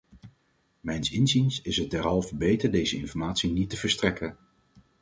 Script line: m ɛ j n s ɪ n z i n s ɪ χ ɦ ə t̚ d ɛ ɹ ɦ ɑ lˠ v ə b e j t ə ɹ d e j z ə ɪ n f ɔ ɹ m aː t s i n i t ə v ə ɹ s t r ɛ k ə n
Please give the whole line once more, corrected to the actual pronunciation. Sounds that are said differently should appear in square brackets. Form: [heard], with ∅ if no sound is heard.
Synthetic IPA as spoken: m ɛ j n s ɪ n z i n s ɪ [s] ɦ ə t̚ d ɛ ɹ ɦ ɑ lˠ v ə b e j t ə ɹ d e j z ə ɪ n f ɔ ɹ m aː t s i n i t ə v ə ɹ s t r ɛ k ə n